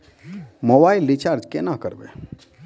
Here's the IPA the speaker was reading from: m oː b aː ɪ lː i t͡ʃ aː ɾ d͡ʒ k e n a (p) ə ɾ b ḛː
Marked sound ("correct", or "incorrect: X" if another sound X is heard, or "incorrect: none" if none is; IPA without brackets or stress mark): incorrect: k